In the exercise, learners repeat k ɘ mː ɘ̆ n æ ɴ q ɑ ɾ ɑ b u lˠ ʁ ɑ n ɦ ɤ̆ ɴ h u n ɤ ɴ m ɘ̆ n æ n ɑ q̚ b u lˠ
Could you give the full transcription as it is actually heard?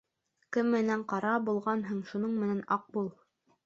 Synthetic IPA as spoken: k ɘ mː ɘ̆ n æ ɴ q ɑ ɾ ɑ b u lˠ ʁ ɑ n ɦ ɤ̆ ɴ ʃ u n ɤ ɴ m ɘ̆ n æ n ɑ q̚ b u lˠ